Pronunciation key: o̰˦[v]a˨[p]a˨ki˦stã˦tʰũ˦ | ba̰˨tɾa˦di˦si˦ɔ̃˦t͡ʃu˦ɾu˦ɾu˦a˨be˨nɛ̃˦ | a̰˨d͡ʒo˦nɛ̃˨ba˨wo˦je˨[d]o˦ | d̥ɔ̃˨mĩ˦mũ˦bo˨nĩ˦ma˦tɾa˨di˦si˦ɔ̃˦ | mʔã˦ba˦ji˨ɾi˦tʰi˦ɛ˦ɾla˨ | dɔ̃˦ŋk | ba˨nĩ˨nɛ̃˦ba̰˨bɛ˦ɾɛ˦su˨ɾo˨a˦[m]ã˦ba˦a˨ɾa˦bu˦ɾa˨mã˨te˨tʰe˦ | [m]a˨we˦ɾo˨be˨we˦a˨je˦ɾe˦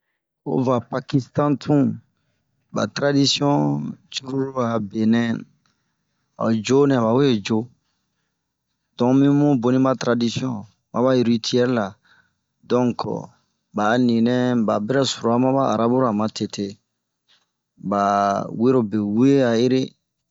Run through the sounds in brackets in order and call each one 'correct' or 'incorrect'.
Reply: correct, correct, incorrect, correct, incorrect

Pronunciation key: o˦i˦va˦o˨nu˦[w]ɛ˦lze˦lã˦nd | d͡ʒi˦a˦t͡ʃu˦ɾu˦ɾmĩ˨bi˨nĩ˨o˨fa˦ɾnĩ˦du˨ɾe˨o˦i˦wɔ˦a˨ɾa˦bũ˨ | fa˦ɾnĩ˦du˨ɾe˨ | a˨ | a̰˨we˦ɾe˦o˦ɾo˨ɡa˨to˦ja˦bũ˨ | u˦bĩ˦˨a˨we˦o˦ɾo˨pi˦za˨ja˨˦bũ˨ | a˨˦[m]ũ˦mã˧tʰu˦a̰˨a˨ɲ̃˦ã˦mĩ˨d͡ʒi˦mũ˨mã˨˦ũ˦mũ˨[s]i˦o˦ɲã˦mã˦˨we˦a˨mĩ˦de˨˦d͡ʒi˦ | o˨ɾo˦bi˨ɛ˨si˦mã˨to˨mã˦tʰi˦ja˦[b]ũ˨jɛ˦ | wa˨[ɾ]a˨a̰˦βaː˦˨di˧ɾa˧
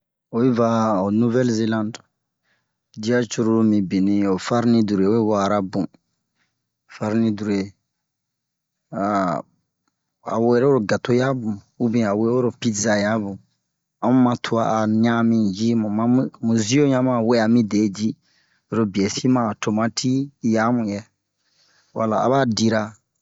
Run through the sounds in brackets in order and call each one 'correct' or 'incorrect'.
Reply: incorrect, correct, incorrect, incorrect, incorrect

